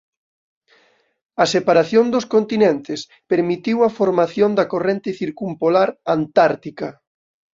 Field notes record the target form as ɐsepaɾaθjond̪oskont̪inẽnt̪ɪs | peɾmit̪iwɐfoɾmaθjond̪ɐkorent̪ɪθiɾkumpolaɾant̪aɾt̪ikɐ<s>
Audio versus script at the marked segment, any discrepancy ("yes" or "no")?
yes